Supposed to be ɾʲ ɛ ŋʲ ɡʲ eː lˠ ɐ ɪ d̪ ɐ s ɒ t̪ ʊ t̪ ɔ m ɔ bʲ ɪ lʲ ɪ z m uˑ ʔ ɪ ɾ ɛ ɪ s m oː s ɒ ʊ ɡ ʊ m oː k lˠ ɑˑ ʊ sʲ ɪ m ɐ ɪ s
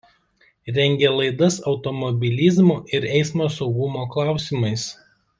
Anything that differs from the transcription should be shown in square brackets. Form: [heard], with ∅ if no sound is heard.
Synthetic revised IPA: ɾʲ ɛ ŋʲ ɡʲ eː lˠ ɐ ɪ d̪ ɐ s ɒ [∅] ʊ t̪ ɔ m ɔ bʲ ɪ lʲ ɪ z m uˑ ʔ ɪ ɾ ɛ ɪ s m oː s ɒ ʊ ɡ ʊ m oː k lˠ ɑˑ ʊ sʲ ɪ m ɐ ɪ s